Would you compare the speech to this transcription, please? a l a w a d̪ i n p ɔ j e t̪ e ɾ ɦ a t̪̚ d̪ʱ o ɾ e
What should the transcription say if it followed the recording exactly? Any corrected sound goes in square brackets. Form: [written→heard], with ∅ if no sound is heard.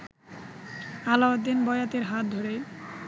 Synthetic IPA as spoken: a l a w a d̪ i n [p→b] ɔ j [e→a] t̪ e ɾ ɦ a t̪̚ d̪ʱ o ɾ e

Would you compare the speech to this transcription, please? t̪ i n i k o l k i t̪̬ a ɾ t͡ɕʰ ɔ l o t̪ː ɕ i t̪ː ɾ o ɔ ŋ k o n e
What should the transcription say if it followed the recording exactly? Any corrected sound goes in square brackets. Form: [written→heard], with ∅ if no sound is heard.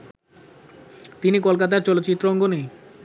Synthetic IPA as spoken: t̪ i n i k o l k [i→a] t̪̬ a ɾ [t͡ɕʰ→t͡ɕ] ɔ l o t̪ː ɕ i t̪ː ɾ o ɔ ŋ [k→ɡ] o n e

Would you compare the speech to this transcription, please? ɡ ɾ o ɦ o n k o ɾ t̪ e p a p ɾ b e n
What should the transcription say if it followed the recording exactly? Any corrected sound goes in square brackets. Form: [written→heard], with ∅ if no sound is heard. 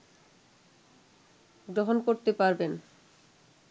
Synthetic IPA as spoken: ɡ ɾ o ɦ o n k o ɾ t̪ e p a [p→∅] ɾ b e n

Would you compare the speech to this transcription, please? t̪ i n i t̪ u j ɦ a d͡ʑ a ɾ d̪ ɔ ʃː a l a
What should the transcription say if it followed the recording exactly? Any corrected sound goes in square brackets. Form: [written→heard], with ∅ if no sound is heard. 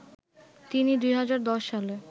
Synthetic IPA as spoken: t̪ i n i [t̪→d̪] u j ɦ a d͡ʑ a ɾ d̪ ɔ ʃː a l [a→e]

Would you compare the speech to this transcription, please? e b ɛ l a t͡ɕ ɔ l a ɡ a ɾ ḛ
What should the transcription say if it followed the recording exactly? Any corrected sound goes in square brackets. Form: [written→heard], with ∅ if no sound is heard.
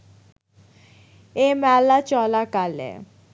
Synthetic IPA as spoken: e [b→m] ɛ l a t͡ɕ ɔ l a [ɡ→k] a [ɾ→l] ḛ

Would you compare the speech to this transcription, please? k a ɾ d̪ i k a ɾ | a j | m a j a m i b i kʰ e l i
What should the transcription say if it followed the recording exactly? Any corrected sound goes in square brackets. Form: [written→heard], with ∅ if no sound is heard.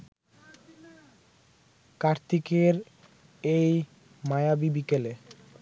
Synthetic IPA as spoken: k a ɾ [d̪→t̪] i k [a→e] ɾ | [a→e] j | m a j a [m→b] i b i [kʰ→k] e l [i→e]

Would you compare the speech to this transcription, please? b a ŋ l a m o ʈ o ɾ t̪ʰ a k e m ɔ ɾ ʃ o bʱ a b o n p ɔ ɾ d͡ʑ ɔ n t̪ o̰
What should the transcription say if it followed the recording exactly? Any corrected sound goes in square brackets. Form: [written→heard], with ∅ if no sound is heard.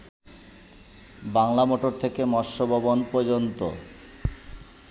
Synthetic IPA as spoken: b a ŋ l a m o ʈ o ɾ t̪ʰ [a→e] k e m ɔ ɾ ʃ o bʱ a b o n p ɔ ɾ d͡ʑ [ɔ→o] n t̪ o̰

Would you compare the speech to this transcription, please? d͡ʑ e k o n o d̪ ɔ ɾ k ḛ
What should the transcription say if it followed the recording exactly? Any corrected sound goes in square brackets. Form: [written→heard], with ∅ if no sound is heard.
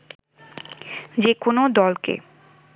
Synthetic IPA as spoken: d͡ʑ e k o n o d̪ ɔ [ɾ→l] k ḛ

